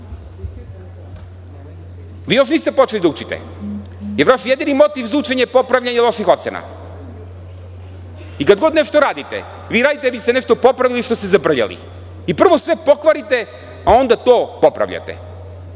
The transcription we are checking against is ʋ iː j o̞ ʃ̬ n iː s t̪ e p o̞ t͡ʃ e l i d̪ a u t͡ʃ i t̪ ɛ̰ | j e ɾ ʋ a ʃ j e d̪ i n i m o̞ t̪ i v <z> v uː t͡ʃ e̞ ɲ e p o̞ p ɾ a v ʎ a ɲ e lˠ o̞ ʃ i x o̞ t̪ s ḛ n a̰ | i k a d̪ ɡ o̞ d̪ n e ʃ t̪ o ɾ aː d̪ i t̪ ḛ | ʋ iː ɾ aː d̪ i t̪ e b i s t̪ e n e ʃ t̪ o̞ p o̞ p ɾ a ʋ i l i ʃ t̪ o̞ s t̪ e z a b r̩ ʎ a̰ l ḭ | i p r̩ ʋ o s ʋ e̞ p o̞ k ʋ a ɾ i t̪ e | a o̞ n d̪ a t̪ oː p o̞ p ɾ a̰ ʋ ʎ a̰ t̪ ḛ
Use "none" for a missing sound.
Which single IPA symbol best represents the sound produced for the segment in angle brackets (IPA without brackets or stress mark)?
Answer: z